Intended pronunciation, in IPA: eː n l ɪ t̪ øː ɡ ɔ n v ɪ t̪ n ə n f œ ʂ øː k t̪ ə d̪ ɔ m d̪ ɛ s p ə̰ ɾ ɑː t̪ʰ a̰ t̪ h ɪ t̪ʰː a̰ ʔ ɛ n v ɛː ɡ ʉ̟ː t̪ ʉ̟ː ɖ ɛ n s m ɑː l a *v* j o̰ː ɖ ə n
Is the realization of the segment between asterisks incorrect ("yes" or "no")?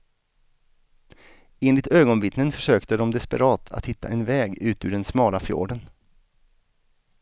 yes